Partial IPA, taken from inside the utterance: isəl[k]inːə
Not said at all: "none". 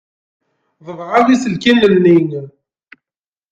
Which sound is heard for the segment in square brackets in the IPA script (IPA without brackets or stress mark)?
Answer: k